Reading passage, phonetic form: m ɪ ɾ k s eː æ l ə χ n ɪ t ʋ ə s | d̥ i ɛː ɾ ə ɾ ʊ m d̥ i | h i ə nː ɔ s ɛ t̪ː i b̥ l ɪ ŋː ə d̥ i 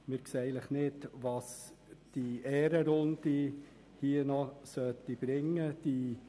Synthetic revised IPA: m ɪ ɾ k s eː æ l ə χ n ɪ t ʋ ɑ s | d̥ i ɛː ɾ ə ɾ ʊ n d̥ i | h i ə n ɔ s œ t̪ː i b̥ ɾ ɪ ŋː ə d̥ i